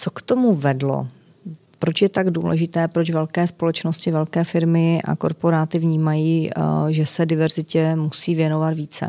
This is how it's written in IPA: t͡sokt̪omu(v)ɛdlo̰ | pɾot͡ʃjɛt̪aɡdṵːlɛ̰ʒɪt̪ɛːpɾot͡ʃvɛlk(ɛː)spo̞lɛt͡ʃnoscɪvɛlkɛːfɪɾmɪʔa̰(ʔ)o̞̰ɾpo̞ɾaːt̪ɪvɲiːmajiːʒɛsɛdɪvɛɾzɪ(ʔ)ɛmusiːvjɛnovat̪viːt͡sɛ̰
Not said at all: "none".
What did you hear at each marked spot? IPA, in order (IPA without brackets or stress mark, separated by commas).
v, ɛː, k, c